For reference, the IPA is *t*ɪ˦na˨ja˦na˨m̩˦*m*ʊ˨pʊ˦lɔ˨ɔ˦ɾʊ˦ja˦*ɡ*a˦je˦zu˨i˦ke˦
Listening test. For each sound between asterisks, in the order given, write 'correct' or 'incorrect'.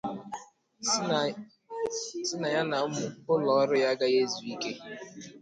incorrect, correct, correct

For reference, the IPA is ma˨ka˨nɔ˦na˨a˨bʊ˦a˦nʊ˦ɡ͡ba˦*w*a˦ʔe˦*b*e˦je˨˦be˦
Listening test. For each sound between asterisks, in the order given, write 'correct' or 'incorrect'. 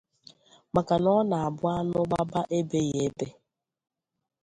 incorrect, correct

